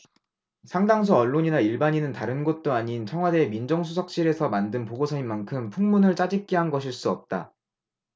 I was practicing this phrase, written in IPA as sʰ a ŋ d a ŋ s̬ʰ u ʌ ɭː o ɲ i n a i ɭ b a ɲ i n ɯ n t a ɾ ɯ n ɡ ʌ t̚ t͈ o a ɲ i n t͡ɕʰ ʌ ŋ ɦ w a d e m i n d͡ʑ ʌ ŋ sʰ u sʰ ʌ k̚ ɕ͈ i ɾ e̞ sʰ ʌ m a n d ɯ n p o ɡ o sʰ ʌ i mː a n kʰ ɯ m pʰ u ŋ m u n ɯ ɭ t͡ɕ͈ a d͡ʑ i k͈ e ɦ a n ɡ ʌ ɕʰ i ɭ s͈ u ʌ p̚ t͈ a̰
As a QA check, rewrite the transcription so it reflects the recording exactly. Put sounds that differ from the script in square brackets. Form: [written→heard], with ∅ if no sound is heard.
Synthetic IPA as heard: sʰ a ŋ d a ŋ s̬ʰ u ʌ ɭː o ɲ i n a i ɭ b a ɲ i n ɯ n t a ɾ ɯ n ɡ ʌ t̚ t͈ o a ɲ i n t͡ɕʰ ʌ ŋ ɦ w a d e m i n d͡ʑ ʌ ŋ sʰ u sʰ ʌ k̚ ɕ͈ i ɾ e̞ sʰ ʌ m a n d ɯ n p o ɡ o sʰ ʌ i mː a n kʰ ɯ m pʰ u ŋ m u n ɯ ɭ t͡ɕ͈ a d͡ʑ i k͈ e ɦ a n ɡ ʌ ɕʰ i ɭ s͈ u ʌ p̚ t͈ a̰